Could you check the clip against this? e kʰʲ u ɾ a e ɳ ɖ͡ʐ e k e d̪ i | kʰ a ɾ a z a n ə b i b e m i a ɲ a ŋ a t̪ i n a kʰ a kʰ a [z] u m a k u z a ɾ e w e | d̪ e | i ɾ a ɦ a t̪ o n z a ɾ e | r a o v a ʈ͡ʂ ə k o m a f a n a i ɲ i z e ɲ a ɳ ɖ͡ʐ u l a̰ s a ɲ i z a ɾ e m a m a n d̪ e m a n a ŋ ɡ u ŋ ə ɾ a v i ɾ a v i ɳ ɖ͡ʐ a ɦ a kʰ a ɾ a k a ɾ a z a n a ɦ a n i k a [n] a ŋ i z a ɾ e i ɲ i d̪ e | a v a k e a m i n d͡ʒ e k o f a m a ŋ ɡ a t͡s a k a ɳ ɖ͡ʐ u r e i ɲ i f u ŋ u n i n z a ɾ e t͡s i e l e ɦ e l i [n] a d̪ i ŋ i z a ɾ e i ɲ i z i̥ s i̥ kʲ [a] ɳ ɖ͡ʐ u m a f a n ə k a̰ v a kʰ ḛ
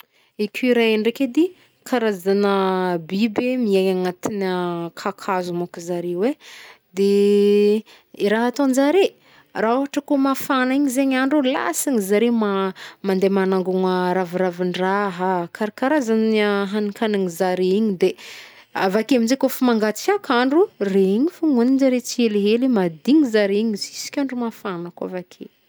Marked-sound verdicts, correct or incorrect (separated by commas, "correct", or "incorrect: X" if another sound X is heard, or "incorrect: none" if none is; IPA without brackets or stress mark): correct, correct, incorrect: m, correct